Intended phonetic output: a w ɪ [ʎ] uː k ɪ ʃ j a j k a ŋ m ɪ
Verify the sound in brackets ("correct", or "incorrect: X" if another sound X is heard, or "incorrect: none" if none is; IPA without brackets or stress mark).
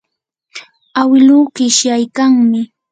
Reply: incorrect: l